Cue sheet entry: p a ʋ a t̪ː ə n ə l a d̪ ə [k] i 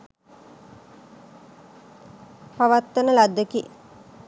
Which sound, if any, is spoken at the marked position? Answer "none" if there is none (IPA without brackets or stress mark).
k